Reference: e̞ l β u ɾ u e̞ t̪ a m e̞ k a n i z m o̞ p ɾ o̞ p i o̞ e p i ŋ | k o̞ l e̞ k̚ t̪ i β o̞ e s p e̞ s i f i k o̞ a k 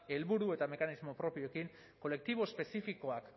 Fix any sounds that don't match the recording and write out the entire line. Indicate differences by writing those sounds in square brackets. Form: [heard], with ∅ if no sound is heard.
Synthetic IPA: e̞ l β u ɾ u e̞ t̪ a m e̞ k a n i z m o̞ p ɾ o̞ p i o̞ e [k] i ŋ | k o̞ l e̞ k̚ t̪ i β o̞ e s p e̞ s i f i k o̞ a k